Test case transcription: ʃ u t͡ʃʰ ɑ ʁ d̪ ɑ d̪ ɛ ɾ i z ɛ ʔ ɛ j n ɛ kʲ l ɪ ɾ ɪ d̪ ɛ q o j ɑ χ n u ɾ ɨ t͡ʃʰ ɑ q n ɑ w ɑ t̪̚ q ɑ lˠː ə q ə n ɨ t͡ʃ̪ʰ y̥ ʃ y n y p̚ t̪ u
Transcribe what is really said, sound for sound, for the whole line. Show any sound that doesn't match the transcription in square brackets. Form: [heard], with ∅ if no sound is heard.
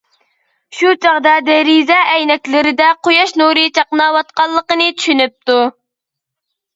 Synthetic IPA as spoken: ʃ u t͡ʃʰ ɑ ʁ d̪ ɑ d̪ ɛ ɾ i z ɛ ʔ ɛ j n ɛ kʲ l ɪ ɾ ɪ d̪ ɛ q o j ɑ [ʃ] n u ɾ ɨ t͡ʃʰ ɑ q n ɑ w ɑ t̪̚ q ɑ lˠː ə q ə n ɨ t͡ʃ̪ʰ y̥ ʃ y n y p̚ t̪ u